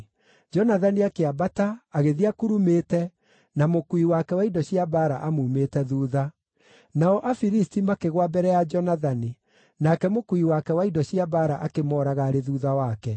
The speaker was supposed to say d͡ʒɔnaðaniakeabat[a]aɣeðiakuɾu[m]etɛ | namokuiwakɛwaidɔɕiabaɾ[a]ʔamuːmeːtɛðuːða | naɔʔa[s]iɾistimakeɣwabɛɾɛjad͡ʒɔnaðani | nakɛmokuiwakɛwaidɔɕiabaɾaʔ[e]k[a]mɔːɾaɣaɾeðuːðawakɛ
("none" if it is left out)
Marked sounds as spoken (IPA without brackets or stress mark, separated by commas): a, m, a, f, a, e